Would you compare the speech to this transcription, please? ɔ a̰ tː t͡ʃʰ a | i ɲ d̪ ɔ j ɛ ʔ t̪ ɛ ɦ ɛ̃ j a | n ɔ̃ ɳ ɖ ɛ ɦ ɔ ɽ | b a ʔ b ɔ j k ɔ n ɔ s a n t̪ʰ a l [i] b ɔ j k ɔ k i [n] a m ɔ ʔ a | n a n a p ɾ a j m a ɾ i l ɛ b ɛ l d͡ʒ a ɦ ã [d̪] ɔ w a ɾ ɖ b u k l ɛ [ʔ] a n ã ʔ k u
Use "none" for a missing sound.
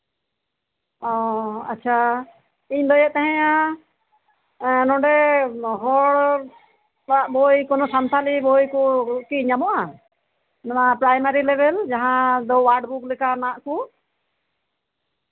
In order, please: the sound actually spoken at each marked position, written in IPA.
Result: i, ɲ, d̪, k

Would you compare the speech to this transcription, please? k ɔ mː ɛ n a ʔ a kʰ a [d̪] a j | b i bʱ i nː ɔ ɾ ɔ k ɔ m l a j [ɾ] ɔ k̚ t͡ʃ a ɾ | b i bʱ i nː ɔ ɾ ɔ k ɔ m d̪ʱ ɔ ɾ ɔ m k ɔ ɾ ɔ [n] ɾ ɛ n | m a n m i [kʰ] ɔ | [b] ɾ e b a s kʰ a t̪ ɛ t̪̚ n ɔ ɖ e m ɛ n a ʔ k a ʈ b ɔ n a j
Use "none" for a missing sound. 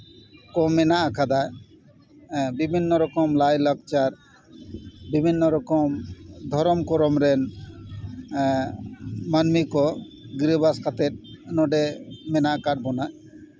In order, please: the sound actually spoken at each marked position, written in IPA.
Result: d̪, l, m, k, ɡ

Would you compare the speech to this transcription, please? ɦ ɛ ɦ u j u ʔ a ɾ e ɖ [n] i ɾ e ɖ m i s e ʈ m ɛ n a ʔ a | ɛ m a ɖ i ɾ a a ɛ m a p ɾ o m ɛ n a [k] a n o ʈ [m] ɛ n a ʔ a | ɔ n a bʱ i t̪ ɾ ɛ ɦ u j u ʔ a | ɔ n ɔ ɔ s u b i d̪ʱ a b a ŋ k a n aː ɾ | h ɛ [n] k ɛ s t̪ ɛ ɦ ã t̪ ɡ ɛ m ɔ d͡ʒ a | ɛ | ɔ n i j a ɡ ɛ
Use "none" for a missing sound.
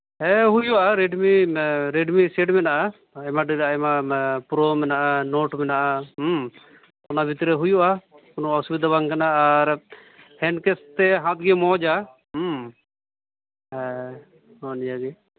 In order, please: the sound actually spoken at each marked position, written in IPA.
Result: m, ʔ, m, n

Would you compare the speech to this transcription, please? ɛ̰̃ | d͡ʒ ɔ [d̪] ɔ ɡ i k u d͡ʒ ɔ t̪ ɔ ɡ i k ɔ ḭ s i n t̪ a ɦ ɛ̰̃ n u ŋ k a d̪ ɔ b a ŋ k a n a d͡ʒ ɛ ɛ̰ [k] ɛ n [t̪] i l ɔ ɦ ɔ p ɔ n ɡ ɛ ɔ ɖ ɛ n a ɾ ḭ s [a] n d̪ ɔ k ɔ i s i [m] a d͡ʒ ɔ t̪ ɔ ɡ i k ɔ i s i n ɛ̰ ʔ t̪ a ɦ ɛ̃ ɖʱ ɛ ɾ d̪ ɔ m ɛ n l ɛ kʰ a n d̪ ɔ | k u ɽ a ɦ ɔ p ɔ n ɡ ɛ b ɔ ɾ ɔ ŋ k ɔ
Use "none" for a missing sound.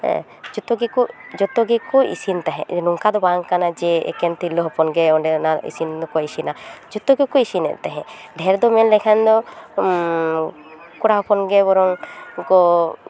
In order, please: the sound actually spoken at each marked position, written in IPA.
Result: t̪, k, t̪, i, n

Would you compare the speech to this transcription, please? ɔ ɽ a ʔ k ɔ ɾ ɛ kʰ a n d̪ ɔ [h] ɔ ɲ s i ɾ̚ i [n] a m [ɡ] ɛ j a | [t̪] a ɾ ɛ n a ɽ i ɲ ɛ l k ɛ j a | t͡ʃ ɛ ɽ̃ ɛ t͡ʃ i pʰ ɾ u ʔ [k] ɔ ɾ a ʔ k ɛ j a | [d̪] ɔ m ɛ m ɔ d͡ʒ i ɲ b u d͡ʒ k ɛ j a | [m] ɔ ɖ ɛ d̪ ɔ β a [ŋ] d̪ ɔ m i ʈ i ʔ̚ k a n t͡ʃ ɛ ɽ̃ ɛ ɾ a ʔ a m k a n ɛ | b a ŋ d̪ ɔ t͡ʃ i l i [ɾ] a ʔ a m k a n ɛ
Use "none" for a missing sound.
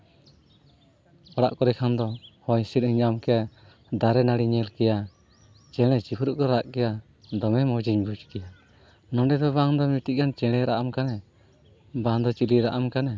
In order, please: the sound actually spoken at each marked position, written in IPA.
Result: h, ɲ, k, d̪, k, d̪, n, ŋ, ɾ

